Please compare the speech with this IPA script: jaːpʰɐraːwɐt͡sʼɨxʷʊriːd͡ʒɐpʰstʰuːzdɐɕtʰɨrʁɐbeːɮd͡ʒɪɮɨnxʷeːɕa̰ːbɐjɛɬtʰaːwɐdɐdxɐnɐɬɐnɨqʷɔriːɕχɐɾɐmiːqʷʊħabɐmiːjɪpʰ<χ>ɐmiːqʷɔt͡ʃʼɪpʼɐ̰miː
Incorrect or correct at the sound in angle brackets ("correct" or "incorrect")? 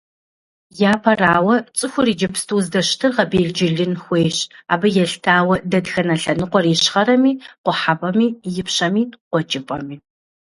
incorrect